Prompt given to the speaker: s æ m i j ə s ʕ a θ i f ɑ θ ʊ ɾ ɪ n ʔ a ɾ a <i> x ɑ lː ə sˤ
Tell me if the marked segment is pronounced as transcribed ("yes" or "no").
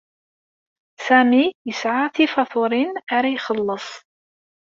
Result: no